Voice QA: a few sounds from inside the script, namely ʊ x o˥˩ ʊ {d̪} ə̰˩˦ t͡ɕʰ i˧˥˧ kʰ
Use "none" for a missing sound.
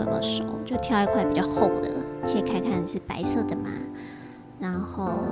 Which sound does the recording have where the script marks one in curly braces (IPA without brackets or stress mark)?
d̪